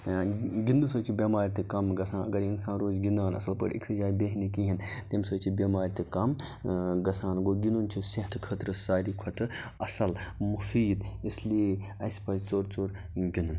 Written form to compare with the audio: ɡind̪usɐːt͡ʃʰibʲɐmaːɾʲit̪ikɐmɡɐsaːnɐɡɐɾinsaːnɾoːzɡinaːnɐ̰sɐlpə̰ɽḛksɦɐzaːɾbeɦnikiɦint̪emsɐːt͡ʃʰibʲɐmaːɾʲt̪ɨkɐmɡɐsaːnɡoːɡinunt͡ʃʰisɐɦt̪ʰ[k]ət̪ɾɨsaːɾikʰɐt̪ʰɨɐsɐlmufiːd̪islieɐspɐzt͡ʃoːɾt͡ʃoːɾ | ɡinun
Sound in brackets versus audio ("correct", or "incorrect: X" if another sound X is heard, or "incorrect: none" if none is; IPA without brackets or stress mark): incorrect: kʰ